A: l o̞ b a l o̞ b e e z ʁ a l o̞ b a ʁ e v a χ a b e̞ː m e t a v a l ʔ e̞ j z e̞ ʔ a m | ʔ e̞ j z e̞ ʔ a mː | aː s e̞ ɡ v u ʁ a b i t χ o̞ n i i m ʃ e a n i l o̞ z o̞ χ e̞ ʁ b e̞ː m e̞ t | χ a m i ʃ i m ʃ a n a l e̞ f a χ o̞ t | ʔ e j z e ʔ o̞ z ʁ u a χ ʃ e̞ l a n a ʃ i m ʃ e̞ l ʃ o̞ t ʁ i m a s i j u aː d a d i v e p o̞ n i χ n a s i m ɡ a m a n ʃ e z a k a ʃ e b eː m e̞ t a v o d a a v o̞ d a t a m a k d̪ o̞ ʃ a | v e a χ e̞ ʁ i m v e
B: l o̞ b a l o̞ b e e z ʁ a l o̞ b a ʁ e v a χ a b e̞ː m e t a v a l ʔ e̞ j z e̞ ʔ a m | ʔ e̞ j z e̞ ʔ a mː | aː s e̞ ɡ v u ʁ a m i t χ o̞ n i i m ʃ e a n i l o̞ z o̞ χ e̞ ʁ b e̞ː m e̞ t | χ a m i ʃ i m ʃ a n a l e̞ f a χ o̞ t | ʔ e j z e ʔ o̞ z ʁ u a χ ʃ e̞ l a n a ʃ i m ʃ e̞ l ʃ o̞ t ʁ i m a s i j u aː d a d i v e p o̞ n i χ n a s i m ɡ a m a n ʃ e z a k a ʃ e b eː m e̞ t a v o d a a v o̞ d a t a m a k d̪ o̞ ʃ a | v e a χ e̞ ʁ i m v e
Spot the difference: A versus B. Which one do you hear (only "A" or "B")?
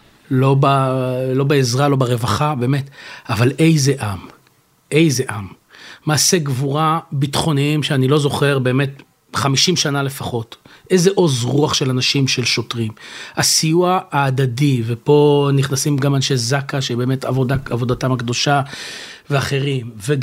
A